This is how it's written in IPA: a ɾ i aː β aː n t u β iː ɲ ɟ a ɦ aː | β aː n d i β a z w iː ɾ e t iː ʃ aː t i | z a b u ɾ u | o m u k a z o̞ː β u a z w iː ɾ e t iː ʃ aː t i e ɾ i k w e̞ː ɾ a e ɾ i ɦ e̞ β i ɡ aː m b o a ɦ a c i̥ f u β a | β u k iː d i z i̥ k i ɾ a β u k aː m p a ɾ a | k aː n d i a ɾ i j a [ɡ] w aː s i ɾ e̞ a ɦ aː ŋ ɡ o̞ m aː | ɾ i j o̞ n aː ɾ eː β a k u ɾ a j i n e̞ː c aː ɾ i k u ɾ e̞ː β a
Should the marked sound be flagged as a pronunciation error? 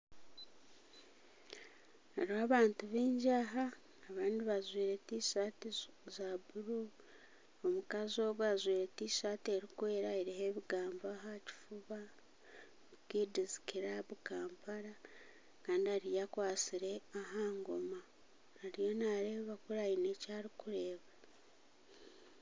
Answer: yes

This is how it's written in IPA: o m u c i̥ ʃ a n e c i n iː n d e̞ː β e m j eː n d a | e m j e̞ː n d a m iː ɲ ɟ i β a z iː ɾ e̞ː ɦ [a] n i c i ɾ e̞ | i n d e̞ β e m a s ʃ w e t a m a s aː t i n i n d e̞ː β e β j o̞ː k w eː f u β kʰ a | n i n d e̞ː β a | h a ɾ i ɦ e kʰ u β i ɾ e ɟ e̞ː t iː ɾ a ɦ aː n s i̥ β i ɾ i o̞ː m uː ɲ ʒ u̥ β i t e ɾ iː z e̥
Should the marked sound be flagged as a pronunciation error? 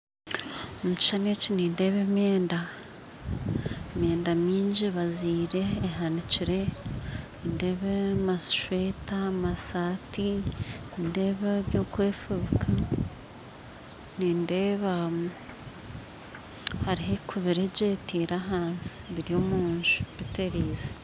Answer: no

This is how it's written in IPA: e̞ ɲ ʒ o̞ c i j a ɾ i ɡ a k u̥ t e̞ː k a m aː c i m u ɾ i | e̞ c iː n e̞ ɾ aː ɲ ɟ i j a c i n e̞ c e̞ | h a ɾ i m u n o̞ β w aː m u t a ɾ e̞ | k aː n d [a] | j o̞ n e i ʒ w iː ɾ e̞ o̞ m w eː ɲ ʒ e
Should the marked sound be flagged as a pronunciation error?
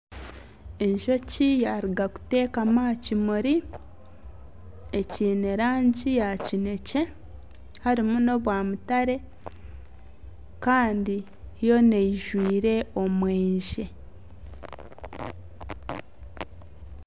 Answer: yes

